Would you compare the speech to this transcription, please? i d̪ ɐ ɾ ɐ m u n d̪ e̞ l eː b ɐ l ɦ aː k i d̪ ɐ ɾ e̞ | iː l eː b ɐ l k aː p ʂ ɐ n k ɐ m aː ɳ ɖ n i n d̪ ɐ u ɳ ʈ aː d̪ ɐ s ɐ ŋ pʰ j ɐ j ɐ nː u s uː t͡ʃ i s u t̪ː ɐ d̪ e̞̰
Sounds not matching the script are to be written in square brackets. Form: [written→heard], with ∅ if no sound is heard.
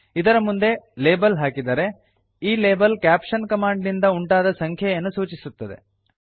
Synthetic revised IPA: i d̪ ɐ ɾ ɐ m u n d̪ e̞ l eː b ɐ l ɦ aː k i d̪ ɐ ɾ e̞ | iː l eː b ɐ l k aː p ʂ ɐ n k ɐ m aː ɳ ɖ n i n d̪ ɐ u ɳ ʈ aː d̪ ɐ s ɐ ŋ [pʰ→kʰ] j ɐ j ɐ nː u s uː t͡ʃ i s u t̪ː ɐ d̪ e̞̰